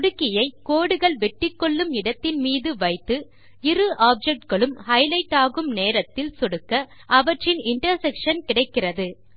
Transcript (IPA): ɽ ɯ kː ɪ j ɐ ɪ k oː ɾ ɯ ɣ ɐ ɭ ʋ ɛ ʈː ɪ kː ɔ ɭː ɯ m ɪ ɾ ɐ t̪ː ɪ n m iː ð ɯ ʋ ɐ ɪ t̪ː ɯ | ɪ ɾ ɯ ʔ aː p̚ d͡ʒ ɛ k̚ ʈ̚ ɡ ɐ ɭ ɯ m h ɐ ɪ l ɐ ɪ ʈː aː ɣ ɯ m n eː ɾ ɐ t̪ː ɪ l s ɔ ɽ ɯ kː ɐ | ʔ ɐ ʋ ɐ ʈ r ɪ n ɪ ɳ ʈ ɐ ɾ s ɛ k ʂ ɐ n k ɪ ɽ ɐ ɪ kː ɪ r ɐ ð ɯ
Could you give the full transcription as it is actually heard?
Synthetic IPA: ɽ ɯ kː ɪ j ɐ ɪ k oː ɽ ɯ ɣ ɐ ɭ ʋ ɛ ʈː ɪ kː ɔ ɭː ɯ m ɪ ɽ ɐ t̪ː ɪ n m iː ð ɯ ʋ ɐ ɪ t̪ː ɯ | ɪ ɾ ɯ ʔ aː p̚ d͡ʒ ɛ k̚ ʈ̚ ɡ ɐ ɭ ɯ m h ɐ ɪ l ɐ ɪ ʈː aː ɣ ɯ m n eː ɾ ɐ t̪ː ɪ l s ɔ ɽ ɯ kː ɐ | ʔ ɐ ʋ ɐ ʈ r ɪ n ɪ ɳ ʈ ɐ ɾ s ɛ k ʂ ɐ n k ɪ ɽ ɐ ɪ kː ɪ r ɐ ð ɯ